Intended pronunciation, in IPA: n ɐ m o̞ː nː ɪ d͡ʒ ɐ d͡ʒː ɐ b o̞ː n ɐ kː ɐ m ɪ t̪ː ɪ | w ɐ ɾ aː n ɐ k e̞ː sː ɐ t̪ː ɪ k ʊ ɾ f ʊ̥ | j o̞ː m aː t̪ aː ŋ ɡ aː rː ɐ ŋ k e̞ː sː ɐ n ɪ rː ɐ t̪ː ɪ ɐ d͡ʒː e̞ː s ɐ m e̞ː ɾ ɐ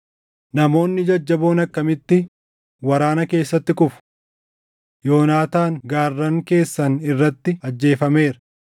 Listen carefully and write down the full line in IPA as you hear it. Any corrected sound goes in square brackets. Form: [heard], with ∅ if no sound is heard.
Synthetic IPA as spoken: n ɐ m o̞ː nː ɪ d͡ʒ ɐ d͡ʒː ɐ b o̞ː n ɐ kː ɐ m ɪ t̪ː ɪ | w ɐ ɾ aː n ɐ k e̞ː sː ɐ t̪ː ɪ k ʊ [∅] f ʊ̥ | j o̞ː [n] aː t̪ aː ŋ ɡ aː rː ɐ ŋ k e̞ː sː ɐ n ɪ rː ɐ t̪ː ɪ ɐ d͡ʒː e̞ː [f] ɐ m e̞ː ɾ ɐ

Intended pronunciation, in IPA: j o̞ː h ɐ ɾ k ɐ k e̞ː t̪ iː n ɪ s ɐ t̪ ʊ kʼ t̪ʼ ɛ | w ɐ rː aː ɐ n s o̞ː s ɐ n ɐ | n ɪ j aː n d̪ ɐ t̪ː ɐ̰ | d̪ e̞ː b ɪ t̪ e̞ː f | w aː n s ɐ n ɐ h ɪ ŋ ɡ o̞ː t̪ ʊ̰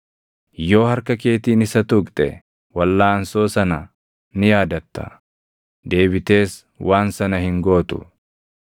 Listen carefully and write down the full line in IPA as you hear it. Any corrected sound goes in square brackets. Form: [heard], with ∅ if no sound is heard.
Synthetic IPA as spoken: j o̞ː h ɐ ɾ k ɐ k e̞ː t̪ iː n ɪ s ɐ t̪ ʊ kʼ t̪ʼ ɛ | w ɐ [lː] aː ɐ n s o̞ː s ɐ n ɐ | n ɪ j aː [∅] d̪ ɐ t̪ː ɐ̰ | d̪ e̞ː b ɪ t̪ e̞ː [s] | w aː n s ɐ n ɐ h ɪ ŋ ɡ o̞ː t̪ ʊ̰

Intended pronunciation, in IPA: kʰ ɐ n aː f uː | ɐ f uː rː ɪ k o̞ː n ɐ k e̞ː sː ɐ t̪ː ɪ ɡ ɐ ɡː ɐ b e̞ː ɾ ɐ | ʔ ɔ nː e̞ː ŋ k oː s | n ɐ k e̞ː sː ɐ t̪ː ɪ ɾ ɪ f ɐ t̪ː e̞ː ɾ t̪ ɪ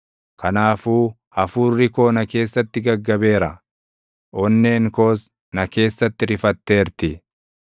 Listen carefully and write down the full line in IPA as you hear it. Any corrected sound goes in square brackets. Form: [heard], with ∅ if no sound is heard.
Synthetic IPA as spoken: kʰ ɐ n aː f uː | ɐ f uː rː ɪ k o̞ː n ɐ k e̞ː sː ɐ t̪ː ɪ ɡ ɐ ɡː ɐ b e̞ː ɾ ɐ | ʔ ɔ nː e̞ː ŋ k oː s | n ɐ k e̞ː sː ɐ t̪ː ɪ ɾ ɪ f ɐ t̪ː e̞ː ɾ t̪ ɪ

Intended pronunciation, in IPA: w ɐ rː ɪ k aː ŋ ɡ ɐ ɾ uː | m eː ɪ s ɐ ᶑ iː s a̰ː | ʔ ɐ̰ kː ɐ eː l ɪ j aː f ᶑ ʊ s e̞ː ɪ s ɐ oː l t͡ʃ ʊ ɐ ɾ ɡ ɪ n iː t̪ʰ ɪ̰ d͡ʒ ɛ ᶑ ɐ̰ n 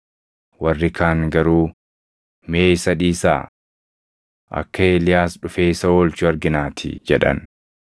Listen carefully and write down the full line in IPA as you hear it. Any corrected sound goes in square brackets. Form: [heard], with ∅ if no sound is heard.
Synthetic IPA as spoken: w ɐ rː ɪ k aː ŋ ɡ ɐ ɾ uː | m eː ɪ s ɐ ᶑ iː s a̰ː | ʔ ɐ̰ kː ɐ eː l ɪ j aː [s] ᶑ ʊ [f] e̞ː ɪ s ɐ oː l t͡ʃ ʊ ɐ ɾ ɡ ɪ n [aː] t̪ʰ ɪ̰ d͡ʒ ɛ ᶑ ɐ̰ n

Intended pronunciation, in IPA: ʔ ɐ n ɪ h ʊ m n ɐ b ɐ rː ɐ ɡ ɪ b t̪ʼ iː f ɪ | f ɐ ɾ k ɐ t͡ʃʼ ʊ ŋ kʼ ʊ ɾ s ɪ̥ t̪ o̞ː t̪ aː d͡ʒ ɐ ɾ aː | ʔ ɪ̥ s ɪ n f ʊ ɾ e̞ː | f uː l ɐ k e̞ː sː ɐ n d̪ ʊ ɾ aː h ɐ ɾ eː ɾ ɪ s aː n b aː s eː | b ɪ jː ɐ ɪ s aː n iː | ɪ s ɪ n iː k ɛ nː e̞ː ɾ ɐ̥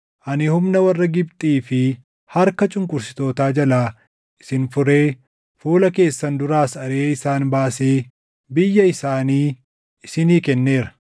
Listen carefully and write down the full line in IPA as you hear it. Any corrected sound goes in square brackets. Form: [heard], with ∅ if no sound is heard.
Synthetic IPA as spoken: ʔ ɐ n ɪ h ʊ m n ɐ [w] ɐ rː ɐ ɡ ɪ b t̪ʼ iː f ɪ | [h] ɐ ɾ k ɐ t͡ʃʼ ʊ ŋ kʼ ʊ ɾ s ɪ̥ t̪ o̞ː t̪ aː d͡ʒ ɐ [l] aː | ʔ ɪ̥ s ɪ n f ʊ ɾ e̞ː | f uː l ɐ k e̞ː sː ɐ n d̪ ʊ ɾ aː [s] ɐ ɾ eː [∅] ɪ s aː n b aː s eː | b ɪ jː ɐ ɪ s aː n iː | ɪ s ɪ n iː k ɛ nː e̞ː ɾ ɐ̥

